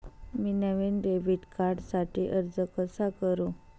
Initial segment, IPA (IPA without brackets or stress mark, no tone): m